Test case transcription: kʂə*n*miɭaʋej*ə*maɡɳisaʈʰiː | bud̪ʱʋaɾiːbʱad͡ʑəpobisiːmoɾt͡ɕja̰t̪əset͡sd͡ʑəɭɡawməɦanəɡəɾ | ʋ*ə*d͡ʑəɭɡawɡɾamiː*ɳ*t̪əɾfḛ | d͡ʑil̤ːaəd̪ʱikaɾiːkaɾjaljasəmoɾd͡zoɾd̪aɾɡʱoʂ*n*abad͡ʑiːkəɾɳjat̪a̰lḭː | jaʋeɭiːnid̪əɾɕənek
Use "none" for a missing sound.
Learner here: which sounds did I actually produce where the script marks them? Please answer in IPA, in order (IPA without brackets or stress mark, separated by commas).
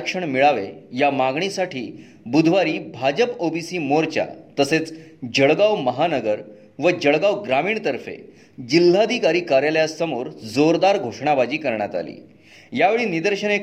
ɳ, a, ə, ɳ, ɳ